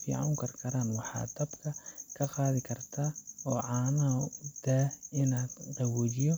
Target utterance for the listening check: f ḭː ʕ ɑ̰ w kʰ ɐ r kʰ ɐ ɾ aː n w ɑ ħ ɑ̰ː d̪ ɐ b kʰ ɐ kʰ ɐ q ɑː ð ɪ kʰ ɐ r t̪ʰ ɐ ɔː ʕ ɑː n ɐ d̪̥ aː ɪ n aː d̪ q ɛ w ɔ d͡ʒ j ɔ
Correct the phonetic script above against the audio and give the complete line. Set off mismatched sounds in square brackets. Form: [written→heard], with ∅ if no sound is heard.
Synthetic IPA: f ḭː ʕ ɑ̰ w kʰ ɐ r kʰ ɐ ɾ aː n w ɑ ħ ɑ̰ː d̪ ɐ b kʰ ɐ kʰ ɐ q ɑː ð ɪ kʰ ɐ r t̪ʰ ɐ ɔː ʕ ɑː n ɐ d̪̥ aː ɪ n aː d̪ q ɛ w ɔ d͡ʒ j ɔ